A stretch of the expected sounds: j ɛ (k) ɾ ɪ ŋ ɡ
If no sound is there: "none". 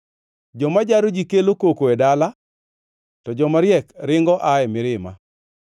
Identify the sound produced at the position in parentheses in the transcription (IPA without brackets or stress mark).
k